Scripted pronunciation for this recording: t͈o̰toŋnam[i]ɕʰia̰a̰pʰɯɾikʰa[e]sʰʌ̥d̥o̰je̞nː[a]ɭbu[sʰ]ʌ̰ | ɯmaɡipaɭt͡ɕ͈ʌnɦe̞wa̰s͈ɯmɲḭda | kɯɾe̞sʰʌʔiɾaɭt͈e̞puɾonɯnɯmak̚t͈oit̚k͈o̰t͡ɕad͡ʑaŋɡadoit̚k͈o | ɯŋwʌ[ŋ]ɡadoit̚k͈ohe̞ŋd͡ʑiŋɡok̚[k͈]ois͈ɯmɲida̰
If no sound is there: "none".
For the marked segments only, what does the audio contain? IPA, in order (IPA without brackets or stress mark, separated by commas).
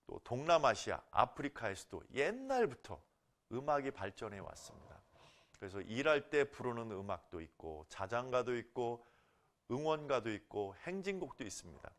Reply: a, e, a, tʰ, n, t͈